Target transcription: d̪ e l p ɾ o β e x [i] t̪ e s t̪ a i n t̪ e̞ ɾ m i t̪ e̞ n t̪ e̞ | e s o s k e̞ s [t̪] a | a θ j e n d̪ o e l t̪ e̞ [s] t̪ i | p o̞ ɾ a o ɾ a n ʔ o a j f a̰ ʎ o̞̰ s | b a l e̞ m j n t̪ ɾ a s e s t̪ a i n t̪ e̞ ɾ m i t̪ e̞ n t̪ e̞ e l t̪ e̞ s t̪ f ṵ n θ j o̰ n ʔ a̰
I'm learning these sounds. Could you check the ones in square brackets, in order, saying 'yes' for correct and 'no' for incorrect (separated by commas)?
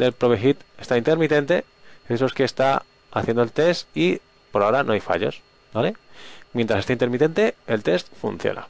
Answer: yes, yes, yes